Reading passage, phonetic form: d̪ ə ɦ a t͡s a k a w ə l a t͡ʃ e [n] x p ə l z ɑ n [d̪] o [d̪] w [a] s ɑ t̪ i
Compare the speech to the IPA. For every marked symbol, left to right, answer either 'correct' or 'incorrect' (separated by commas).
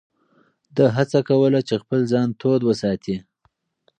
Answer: incorrect, incorrect, correct, incorrect